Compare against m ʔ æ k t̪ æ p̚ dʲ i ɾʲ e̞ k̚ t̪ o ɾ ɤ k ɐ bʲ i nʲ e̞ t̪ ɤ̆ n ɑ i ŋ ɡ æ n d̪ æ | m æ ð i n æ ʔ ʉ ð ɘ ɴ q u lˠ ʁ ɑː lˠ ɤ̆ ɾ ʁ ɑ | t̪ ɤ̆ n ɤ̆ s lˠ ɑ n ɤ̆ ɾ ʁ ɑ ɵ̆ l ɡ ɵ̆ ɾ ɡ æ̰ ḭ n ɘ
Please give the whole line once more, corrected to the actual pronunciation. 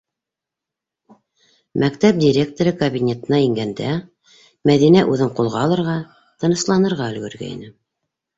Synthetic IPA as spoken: m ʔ æ k t̪ æ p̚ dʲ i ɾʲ e̞ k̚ t̪ o ɾ ɤ k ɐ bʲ i nʲ e̞ t̪ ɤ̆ n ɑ i ŋ ɡ æ n d̪ æ | m æ ð i n æ ʔ ʉ ð ɘ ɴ q u lˠ ʁ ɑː lˠ ɤ̆ ɾ ʁ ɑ | t̪ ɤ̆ n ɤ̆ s lˠ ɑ n ɤ̆ ɾ ʁ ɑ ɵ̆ l ɡ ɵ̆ ɾ ɡ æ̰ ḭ n ɘ